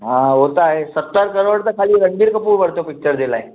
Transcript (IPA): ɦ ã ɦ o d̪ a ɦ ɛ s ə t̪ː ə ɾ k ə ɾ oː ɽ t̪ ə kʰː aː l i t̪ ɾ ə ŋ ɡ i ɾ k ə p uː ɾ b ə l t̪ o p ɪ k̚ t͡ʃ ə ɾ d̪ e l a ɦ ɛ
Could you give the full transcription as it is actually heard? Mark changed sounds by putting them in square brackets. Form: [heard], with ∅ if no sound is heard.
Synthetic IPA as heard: ɦ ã ɦ o [t̪] a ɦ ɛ s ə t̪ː ə ɾ k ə ɾ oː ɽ t̪ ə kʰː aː l i [∅] ɾ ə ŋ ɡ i ɾ k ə p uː ɾ b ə [ɽ] t̪ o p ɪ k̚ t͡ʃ ə ɾ d̪ e l a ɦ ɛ

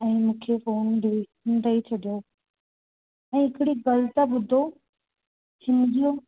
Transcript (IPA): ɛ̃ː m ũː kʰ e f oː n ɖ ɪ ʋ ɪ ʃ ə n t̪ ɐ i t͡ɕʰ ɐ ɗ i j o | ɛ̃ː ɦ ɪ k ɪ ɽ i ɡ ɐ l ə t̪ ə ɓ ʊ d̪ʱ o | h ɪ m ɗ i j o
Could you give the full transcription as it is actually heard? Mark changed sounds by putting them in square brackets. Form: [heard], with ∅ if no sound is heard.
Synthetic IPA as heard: ɛ̃ː m ũː kʰ e f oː n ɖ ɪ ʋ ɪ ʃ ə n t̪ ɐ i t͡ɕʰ ɐ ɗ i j o | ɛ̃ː ɦ ɪ k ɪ ɽ i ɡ ɐ l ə t̪ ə ɓ ʊ d̪ʱ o | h ɪ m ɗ i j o

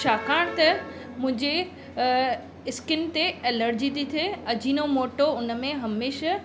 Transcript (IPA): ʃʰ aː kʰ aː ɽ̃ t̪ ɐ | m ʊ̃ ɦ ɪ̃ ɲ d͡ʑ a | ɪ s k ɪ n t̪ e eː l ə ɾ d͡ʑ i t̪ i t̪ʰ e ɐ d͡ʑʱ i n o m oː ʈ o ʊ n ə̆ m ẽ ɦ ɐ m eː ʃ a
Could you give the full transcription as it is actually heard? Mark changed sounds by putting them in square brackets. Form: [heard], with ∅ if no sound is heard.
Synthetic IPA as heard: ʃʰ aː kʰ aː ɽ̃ t̪ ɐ | m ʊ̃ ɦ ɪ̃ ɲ d͡ʑ [e] | ɪ s k ɪ n t̪ e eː l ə ɾ d͡ʑ i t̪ i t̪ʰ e ɐ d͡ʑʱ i n o m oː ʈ o ʊ n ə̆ m ẽ ɦ ɐ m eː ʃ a

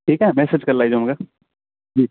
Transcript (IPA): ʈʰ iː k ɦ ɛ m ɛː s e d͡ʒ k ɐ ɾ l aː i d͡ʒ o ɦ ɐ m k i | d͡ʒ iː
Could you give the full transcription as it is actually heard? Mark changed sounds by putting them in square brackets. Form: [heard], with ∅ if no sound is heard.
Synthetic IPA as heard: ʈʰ iː k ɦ ɛ m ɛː s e d͡ʒ k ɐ ɾ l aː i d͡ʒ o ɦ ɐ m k [a] | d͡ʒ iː

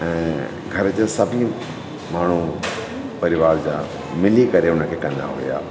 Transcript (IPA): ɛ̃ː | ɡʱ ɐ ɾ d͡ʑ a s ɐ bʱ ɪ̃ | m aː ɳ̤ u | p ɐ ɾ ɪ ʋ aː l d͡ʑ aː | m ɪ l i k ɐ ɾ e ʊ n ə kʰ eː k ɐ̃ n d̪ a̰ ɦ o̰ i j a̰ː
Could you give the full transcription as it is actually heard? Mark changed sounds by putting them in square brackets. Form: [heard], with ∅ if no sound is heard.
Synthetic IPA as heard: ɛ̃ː | ɡʱ ɐ ɾ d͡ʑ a s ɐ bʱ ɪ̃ | m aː ɳ̤ u | p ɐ ɾ ɪ ʋ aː [ɾ] d͡ʑ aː | m ɪ l i k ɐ ɾ e ʊ n ə kʰ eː k ɐ̃ n d̪ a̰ ɦ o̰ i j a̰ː

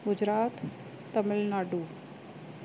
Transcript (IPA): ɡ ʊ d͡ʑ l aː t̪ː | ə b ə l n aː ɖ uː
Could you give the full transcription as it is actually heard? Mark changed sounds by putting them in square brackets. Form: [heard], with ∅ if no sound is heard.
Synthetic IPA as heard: ɡ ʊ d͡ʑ [ɾ] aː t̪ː | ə [m] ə l n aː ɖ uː

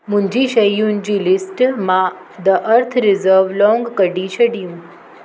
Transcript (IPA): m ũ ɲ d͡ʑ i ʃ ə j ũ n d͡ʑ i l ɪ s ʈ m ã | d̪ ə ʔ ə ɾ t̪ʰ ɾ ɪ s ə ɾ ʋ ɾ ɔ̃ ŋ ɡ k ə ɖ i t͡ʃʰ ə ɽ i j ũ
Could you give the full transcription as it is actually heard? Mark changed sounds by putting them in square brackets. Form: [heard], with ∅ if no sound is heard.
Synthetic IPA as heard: m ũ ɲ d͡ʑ i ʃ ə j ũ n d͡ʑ i l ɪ s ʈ m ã | d̪ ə ʔ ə ɾ t̪ʰ ɾ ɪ [z] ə ɾ ʋ [l] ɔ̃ ŋ ɡ k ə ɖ i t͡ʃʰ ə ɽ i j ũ

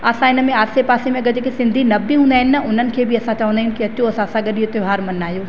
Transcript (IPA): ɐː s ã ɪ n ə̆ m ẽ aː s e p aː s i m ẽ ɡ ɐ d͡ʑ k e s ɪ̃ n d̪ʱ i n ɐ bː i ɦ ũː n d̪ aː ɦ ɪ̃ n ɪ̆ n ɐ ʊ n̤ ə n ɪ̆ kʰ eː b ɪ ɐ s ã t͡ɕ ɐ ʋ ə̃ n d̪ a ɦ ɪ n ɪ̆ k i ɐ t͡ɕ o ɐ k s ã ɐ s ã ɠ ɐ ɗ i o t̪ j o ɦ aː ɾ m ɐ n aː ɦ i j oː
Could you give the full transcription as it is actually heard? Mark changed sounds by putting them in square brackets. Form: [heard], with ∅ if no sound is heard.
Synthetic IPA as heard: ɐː s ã ɪ n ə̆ m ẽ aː s e p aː s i m ẽ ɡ ɐ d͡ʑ k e s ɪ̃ n d̪ʱ i n ɐ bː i ɦ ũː n d̪ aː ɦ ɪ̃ n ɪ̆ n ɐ ʊ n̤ ə n ɪ̆ kʰ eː b ɪ ɐ s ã t͡ɕ ɐ ʋ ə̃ n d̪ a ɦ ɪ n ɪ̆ k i ɐ t͡ɕ o ɐ [∅] s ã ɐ s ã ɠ ɐ ɗ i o t̪ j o ɦ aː ɾ m ɐ n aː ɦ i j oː

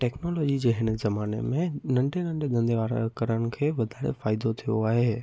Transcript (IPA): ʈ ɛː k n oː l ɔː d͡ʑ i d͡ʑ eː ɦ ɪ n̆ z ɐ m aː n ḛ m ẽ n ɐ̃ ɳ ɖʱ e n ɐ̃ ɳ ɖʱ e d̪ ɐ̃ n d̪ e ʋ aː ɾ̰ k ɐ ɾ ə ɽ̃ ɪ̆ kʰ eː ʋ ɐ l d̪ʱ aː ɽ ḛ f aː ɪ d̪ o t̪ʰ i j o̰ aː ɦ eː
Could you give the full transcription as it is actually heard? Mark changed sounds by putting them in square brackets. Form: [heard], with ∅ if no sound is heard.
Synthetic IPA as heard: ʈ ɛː k n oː l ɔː d͡ʑ i d͡ʑ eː ɦ ɪ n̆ z ɐ m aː n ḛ m ẽ n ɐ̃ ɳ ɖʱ e n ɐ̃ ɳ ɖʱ e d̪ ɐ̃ n d̪ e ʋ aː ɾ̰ k ɐ ɾ ə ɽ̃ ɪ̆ kʰ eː ʋ ɐ [∅] d̪ʱ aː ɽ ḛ f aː ɪ d̪ o t̪ʰ i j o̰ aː ɦ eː

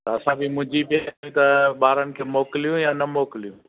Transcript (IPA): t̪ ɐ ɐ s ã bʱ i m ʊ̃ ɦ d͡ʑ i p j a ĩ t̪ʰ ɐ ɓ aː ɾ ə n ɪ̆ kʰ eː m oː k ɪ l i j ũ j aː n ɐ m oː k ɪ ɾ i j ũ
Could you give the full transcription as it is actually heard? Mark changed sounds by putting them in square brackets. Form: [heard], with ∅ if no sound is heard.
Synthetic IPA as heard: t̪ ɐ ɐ s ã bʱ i m ʊ̃ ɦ d͡ʑ i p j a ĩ [t̪] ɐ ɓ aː ɾ ə n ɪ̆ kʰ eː m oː k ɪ l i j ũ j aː n ɐ m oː k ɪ [l] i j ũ

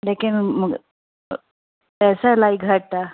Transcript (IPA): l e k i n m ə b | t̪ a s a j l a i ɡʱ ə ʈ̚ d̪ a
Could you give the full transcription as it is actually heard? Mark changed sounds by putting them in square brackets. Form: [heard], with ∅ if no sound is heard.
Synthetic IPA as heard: l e k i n m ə [ɡ] | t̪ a s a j l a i ɡʱ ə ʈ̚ [t̪] a

